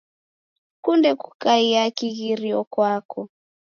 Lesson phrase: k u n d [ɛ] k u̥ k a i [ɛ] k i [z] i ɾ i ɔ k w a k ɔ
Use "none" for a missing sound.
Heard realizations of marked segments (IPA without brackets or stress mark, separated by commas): ɛ, a, ɣ